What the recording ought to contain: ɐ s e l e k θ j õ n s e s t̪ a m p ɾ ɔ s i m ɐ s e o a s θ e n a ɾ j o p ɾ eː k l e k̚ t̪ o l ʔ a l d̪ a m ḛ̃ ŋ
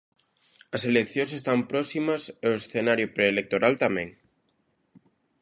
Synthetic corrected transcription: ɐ s e l e k θ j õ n s e s t̪ a m p ɾ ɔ s i m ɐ s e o e s θ e n a ɾ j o p ɾ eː l e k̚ t̪ o ɾ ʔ a l t̪ a m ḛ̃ ŋ